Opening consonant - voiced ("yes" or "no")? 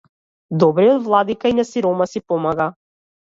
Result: yes